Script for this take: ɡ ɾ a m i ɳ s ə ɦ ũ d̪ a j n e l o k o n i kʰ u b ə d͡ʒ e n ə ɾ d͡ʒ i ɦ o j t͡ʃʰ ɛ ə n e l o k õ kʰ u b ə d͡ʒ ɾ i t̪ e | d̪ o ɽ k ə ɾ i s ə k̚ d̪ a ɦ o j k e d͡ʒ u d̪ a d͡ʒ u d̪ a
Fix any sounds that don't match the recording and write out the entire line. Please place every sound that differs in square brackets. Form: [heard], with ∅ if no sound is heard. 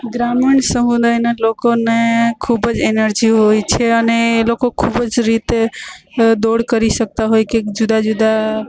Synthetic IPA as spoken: ɡ ɾ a m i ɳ s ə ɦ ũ d̪ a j n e l o k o n [e] kʰ u b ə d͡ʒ e n ə ɾ d͡ʒ i ɦ o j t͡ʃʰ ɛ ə n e l o k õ kʰ u b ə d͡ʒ ɾ i t̪ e | d̪ o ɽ k ə ɾ i s ə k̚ [t̪] a ɦ o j k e d͡ʒ u d̪ a d͡ʒ u d̪ a